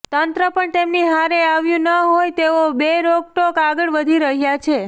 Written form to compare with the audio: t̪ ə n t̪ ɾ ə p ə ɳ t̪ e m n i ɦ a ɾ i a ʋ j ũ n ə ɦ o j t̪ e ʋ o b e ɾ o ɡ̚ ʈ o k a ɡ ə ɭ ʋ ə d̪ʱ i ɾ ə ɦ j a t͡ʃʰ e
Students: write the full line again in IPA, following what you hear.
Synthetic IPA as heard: t̪ ə n t̪ ɾ ə p ə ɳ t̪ e m n i ɦ a ɾ e a ʋ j ũ n ə ɦ o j t̪ e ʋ o b e ɾ o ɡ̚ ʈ o k a ɡ ə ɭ ʋ ə d̪ʱ i ɾ ə ɦ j a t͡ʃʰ e